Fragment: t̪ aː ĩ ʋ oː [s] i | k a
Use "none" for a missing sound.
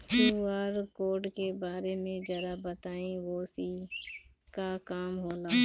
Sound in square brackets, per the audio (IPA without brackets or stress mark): s